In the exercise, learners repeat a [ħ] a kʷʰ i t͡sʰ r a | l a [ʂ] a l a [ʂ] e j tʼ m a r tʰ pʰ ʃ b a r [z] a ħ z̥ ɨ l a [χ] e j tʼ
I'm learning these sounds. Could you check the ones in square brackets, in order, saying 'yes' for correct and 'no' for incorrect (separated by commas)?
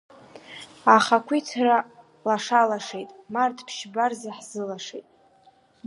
no, yes, yes, yes, no